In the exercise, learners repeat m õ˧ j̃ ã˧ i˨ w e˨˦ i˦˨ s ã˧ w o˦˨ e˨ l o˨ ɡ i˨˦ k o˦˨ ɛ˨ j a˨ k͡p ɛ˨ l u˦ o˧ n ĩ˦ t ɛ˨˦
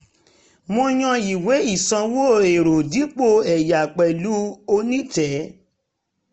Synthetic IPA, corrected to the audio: m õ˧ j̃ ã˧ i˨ w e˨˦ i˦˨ s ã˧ w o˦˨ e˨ ɾ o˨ d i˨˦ k͡p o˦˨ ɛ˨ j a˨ k͡p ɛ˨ l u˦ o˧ n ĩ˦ t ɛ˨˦